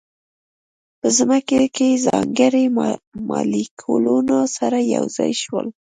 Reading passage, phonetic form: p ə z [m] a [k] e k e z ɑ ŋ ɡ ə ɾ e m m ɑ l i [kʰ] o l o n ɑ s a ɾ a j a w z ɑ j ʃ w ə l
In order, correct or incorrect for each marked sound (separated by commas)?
correct, correct, correct